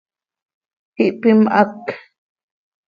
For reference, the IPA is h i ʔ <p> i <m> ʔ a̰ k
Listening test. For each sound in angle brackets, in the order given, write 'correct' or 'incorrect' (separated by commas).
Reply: correct, correct